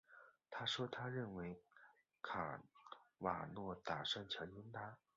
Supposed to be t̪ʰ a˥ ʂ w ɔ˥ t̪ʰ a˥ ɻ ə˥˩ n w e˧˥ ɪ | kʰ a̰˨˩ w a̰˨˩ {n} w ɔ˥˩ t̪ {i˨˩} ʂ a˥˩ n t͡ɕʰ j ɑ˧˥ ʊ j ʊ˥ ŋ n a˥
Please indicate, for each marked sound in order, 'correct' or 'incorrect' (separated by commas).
correct, incorrect